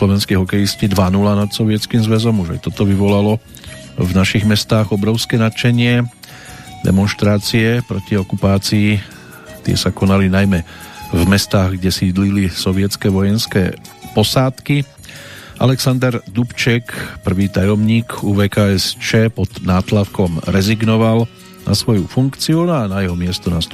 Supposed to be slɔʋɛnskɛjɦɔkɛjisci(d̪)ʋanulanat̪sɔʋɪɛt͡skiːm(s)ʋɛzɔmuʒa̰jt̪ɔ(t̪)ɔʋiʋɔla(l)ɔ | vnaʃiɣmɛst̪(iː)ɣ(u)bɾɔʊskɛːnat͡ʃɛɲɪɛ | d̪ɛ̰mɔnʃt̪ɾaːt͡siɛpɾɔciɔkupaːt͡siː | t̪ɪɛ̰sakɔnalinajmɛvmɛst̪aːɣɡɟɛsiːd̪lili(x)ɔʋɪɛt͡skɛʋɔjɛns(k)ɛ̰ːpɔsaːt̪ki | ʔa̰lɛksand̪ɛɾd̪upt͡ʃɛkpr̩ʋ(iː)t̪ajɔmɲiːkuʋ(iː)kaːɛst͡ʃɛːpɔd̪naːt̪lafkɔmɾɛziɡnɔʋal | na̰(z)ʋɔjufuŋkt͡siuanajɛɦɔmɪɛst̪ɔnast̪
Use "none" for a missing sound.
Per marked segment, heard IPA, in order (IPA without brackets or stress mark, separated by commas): d̪, z, t̪, l, aː, ɔ, s, k, iː, ɛː, s